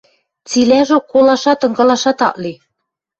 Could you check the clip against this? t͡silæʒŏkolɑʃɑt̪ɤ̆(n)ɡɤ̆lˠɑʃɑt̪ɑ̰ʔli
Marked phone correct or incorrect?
incorrect